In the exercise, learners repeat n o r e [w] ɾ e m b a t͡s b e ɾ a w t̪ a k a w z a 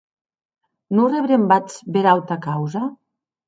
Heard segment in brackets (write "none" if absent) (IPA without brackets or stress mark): β